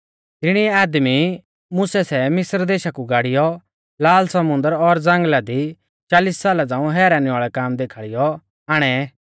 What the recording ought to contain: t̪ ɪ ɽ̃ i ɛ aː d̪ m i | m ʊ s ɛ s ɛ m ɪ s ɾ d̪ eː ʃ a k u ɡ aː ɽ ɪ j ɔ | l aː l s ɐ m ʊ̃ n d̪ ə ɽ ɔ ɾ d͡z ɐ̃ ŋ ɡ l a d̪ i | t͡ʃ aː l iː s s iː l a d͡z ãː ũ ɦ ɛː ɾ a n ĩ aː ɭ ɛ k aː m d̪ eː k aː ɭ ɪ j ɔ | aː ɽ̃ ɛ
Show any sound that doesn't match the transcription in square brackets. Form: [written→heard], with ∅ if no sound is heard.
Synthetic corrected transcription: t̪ ɪ ɽ̃ i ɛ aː d̪ m i | m ʊ s ɛ s ɛ m ɪ s ɾ d̪ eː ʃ a k u ɡ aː ɽ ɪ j ɔ | l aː l s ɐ m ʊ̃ n d̪ ə [ɽ→ɾ] ɔ ɾ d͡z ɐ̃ ŋ ɡ l a d̪ i | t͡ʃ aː l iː s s [iː→aː] l a d͡z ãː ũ ɦ ɛː ɾ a n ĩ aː ɭ ɛ k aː m d̪ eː [k→kʰ] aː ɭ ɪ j ɔ | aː ɽ̃ ɛ

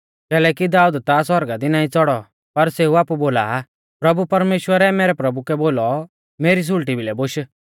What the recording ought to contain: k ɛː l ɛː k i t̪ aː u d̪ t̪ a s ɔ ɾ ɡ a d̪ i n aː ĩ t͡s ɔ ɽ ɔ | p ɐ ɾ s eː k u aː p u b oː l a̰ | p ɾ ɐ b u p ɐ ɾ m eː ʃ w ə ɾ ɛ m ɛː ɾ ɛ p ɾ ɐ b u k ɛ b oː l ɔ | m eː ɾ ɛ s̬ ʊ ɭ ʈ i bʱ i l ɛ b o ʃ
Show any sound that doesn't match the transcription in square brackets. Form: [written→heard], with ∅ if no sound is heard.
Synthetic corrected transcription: k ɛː l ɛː k i [t̪→d̪] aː u d̪ t̪ a s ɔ ɾ ɡ a d̪ i n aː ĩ t͡s ɔ ɽ ɔ | p ɐ ɾ s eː [k→∅] u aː p u b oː l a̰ | p ɾ ɐ b u p ɐ ɾ m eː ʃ w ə ɾ ɛ m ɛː ɾ ɛ p ɾ ɐ b u k ɛ b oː l ɔ | m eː ɾ [ɛ→i] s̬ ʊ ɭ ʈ i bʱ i l ɛ b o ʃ

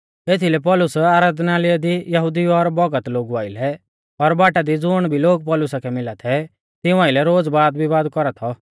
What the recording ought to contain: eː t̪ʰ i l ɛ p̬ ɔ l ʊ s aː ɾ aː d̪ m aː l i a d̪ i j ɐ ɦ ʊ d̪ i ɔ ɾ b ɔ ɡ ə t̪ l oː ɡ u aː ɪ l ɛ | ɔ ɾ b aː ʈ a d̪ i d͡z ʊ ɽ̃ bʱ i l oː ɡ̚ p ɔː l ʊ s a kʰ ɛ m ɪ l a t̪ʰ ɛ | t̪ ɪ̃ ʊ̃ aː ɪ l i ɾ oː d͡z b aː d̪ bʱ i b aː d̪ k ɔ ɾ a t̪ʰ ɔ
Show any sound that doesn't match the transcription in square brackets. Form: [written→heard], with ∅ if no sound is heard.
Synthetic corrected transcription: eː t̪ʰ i l ɛ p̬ ɔ l ʊ s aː ɾ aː d̪ [m→n] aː l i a d̪ i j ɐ ɦ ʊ d̪ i ɔ ɾ b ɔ ɡ ə t̪ l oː ɡ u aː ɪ l ɛ | ɔ ɾ b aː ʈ a d̪ i d͡z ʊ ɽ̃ bʱ i l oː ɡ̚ p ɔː l ʊ s a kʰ ɛ m ɪ l a t̪ʰ ɛ | t̪ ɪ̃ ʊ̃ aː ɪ l [i→ɛ] ɾ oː d͡z b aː d̪ bʱ i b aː d̪ k ɔ ɾ a t̪ʰ ɔ

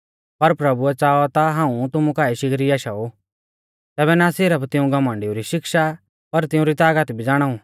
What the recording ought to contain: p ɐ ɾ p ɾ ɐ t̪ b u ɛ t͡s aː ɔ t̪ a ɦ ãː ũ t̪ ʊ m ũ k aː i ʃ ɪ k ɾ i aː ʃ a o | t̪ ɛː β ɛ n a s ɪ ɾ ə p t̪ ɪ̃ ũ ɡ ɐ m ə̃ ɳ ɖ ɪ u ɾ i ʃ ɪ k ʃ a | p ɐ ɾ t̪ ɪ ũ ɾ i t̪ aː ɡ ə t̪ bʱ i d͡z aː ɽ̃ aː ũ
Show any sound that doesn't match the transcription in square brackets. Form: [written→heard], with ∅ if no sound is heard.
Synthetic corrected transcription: p ɐ ɾ p ɾ ɐ [t̪→∅] b u ɛ t͡s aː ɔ t̪ a ɦ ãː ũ t̪ ʊ m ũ k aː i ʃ ɪ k ɾ i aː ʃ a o | t̪ ɛː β ɛ n a s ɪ ɾ ə p t̪ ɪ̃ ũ ɡ ɐ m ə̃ ɳ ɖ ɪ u ɾ i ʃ ɪ k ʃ a | p ɐ ɾ t̪ ɪ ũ ɾ i t̪ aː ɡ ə t̪ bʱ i d͡z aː ɽ̃ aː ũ

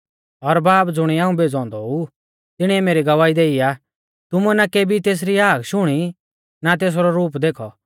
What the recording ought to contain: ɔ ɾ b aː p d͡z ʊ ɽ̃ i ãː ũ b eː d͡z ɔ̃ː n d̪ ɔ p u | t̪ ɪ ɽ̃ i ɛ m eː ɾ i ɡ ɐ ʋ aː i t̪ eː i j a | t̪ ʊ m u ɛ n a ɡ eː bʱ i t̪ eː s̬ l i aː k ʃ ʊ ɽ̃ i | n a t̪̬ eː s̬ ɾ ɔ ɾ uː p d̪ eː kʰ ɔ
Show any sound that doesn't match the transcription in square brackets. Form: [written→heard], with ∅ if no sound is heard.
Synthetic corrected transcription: ɔ ɾ b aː p d͡z ʊ ɽ̃ i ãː ũ b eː d͡z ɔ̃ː n d̪ ɔ [p→∅] u | t̪ ɪ ɽ̃ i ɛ m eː ɾ i ɡ ɐ ʋ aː i [t̪→d̪] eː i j a | t̪ ʊ m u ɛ n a [ɡ→k] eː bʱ i t̪ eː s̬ [l→ɾ] i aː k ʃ ʊ ɽ̃ i | n a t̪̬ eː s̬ ɾ ɔ ɾ uː p d̪ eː kʰ ɔ

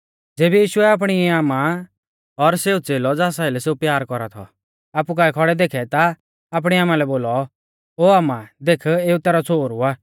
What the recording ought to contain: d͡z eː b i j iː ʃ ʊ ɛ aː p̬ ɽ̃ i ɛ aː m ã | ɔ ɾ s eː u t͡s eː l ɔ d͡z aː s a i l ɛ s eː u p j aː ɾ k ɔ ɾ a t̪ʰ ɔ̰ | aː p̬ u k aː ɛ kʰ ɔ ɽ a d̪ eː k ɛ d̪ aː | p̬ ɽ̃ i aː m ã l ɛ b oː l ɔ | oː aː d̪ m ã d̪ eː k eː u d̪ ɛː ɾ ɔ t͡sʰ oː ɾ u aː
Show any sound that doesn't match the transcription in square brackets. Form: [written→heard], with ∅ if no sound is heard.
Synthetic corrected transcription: d͡z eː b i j iː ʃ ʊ ɛ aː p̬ ɽ̃ i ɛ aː m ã | ɔ ɾ s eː u t͡s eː l ɔ d͡z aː s a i l ɛ s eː u p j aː ɾ k ɔ ɾ a t̪ʰ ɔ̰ | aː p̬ u k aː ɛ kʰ ɔ ɽ [a→ɛ] d̪ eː [k→kʰ] ɛ [d̪→t̪] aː | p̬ ɽ̃ i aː m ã l ɛ b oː l ɔ | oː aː [d̪→∅] m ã d̪ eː [k→kʰ] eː u [d̪→t̪] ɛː ɾ ɔ t͡sʰ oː ɾ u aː

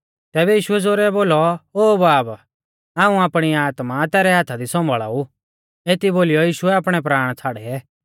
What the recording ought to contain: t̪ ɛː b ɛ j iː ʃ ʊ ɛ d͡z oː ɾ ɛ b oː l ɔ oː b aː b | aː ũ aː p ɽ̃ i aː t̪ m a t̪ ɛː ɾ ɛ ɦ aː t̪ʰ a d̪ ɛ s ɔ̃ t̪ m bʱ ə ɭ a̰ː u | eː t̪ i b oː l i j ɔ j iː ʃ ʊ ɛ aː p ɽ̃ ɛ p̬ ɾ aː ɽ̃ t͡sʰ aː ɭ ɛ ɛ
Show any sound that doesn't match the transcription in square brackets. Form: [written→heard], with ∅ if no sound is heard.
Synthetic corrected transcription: t̪ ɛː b ɛ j iː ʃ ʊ ɛ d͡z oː ɾ ɛ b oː l ɔ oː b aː b | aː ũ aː p ɽ̃ i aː t̪ m a t̪ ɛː ɾ ɛ ɦ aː t̪ʰ a d̪ [ɛ→i] s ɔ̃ [t̪→∅] m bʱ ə ɭ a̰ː u | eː t̪ i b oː l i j ɔ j iː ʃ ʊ ɛ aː p ɽ̃ ɛ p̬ ɾ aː ɽ̃ t͡sʰ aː [ɭ→ɽ] ɛ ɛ

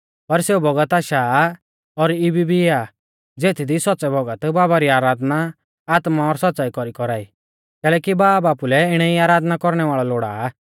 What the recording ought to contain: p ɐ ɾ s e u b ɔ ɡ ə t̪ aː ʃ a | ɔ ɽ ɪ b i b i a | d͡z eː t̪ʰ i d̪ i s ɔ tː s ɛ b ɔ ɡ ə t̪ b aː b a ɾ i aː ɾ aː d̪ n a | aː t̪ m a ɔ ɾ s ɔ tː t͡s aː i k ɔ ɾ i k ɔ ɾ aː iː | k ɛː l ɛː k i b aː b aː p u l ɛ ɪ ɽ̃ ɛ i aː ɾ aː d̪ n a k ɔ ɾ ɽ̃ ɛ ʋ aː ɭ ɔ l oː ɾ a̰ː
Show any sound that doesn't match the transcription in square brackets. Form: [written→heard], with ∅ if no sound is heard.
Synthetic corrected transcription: p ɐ ɾ s e u b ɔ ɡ ə t̪ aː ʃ a | ɔ [ɽ→ɾ] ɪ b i b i a | d͡z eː t̪ʰ i d̪ i s ɔ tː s ɛ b ɔ ɡ ə t̪ b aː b a ɾ i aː ɾ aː d̪ n a | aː t̪ m a ɔ ɾ s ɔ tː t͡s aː i k ɔ ɾ i k ɔ ɾ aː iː | k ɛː l ɛː k i b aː b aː p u l ɛ ɪ ɽ̃ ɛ i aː ɾ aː d̪ n a k ɔ ɾ ɽ̃ ɛ ʋ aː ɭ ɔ l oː [ɾ→ɽ] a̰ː

